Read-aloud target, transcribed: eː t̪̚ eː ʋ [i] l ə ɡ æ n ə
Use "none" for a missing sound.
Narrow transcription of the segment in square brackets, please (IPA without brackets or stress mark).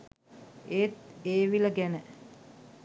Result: i